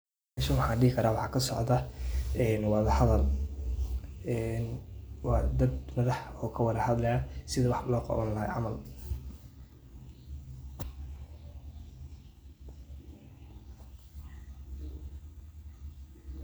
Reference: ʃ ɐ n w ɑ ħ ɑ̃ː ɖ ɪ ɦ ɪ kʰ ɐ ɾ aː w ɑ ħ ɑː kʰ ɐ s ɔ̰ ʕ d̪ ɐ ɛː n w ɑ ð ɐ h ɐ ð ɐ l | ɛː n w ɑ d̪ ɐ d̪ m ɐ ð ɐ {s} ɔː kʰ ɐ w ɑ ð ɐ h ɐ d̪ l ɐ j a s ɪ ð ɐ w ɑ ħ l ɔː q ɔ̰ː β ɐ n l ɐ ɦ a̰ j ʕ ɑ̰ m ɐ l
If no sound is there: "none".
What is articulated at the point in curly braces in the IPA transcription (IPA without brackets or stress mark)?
ħ